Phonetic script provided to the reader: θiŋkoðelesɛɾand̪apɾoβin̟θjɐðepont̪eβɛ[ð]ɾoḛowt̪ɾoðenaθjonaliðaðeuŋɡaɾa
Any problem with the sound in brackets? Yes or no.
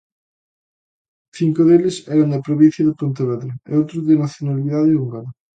no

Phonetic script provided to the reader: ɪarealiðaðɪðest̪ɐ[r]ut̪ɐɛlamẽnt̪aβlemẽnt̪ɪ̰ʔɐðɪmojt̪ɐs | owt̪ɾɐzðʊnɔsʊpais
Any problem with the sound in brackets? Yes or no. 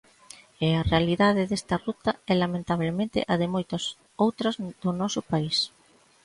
no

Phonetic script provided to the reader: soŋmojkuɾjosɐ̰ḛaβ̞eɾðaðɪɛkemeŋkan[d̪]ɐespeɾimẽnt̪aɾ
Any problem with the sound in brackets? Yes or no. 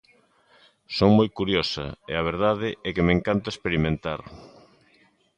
yes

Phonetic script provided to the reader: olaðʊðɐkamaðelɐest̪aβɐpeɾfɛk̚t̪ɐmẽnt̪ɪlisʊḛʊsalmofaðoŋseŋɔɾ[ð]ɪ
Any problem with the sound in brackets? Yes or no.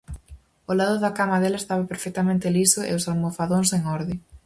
no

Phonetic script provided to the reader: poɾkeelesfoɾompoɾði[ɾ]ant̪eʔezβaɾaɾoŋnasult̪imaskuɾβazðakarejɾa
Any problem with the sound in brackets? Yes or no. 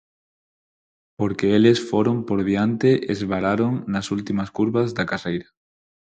yes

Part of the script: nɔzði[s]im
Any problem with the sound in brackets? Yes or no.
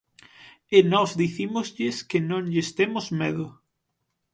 yes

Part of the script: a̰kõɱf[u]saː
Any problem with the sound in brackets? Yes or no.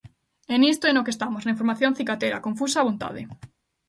no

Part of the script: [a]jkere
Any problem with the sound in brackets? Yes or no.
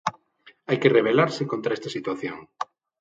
no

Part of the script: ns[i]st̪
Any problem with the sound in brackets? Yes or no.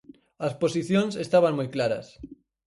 yes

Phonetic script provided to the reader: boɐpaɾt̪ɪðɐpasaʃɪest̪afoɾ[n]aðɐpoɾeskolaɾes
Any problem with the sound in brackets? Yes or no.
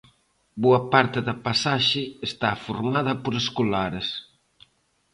yes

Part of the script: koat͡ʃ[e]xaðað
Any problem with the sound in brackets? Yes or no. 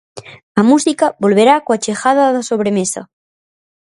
no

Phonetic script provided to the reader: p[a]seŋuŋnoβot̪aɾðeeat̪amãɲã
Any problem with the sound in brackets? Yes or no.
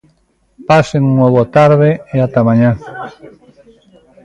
no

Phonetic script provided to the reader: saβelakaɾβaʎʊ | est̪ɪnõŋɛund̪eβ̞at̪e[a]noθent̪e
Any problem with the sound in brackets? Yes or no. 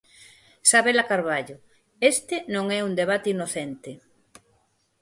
yes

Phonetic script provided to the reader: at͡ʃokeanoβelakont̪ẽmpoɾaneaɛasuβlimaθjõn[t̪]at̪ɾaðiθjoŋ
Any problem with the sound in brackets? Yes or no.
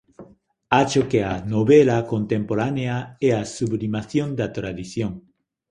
yes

